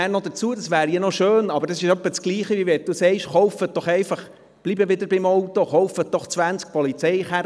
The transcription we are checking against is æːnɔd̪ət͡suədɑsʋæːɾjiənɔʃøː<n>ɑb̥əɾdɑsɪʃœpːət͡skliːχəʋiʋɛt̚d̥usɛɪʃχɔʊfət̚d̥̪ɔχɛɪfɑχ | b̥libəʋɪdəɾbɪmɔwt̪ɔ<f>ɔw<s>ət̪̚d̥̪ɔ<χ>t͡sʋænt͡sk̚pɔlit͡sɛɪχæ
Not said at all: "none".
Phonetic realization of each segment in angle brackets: n, χ, f, χ

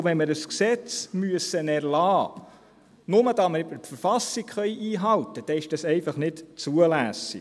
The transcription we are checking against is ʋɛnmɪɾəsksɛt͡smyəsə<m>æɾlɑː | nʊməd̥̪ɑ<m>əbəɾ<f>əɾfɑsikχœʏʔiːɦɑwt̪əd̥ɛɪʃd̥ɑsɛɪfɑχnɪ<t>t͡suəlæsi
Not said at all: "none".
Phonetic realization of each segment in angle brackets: n, m, f, t

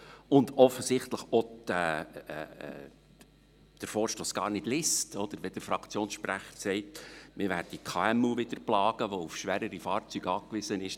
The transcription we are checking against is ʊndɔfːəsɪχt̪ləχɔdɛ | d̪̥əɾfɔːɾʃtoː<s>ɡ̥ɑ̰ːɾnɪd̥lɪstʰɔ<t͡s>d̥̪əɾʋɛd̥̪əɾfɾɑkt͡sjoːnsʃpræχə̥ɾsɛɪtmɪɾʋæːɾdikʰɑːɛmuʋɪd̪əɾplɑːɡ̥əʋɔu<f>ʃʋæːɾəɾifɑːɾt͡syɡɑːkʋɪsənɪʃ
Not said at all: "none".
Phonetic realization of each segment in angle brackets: s, none, f

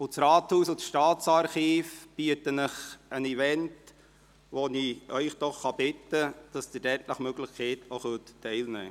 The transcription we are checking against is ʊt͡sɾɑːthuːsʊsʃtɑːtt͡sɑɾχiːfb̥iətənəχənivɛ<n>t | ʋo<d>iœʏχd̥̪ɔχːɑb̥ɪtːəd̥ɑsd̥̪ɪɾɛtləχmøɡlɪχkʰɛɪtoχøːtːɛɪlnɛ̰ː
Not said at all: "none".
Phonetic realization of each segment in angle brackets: n, n

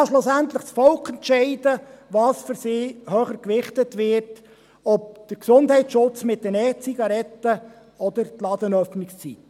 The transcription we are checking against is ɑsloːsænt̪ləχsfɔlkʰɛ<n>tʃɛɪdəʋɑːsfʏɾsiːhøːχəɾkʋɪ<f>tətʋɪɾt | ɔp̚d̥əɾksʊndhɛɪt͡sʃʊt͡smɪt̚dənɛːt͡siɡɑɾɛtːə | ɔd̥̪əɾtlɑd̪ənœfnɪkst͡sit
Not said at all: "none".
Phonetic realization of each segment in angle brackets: n, χ

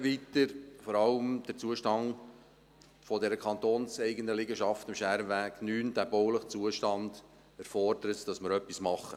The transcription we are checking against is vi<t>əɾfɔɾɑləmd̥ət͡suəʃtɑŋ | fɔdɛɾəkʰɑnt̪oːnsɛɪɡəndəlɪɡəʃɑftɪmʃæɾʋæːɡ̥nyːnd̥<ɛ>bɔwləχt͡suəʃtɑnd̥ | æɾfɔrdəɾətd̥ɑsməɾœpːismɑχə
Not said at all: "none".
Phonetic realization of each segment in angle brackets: t, æ

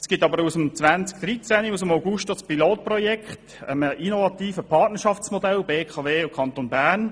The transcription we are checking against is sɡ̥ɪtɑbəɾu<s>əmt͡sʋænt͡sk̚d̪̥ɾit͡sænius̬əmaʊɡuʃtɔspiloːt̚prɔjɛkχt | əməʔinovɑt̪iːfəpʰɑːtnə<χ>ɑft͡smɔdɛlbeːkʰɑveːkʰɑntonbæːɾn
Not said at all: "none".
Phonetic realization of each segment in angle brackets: s, ʃ

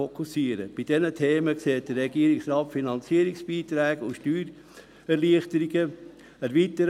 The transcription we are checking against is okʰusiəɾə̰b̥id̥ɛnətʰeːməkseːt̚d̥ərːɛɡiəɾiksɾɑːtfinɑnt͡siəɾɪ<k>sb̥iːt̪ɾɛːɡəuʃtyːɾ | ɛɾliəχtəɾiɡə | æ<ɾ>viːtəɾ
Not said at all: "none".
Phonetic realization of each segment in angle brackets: k, ɾ

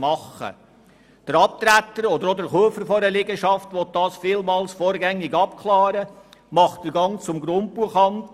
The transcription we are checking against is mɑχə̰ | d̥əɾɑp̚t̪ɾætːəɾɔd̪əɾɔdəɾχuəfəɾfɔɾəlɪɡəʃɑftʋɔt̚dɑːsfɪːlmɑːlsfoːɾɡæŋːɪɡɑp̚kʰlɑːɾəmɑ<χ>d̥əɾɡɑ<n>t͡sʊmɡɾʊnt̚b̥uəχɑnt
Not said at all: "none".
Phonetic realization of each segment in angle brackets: χ, ŋ

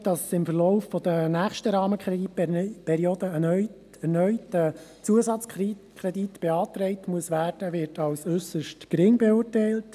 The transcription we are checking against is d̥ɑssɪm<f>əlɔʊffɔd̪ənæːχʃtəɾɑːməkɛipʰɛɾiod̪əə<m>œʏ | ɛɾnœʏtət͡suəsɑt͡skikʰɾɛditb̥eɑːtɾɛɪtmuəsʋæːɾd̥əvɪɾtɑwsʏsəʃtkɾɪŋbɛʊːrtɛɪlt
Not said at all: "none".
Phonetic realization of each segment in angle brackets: f, n

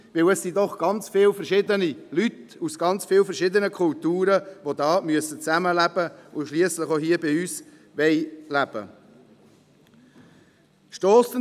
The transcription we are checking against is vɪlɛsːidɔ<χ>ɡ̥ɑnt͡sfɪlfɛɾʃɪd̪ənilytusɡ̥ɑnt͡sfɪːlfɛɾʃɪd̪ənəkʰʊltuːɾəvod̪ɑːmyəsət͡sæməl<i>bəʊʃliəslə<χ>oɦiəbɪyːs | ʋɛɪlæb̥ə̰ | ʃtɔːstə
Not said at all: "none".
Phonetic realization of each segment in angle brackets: χ, æ, χ

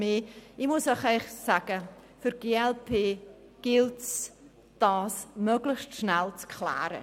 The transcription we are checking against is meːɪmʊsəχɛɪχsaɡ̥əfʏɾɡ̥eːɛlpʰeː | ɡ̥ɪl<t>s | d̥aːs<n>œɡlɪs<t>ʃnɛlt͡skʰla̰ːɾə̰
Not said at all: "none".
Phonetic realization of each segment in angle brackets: t, m, t

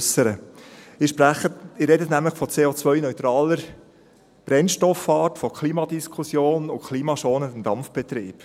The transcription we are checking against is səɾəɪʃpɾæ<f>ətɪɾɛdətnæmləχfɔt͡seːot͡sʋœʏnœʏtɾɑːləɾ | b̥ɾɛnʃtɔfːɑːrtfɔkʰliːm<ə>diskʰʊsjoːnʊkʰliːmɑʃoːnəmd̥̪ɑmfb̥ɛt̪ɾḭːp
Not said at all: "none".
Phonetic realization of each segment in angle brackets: χ, ɑ

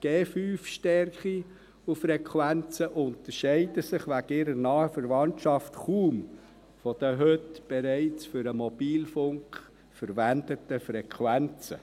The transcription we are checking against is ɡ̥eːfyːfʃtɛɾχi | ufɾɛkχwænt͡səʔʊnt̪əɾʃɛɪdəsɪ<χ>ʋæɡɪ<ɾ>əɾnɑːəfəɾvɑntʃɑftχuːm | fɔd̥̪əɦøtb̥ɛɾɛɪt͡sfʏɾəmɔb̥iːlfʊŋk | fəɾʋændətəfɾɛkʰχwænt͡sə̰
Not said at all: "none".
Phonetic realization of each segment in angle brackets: χ, ɾ

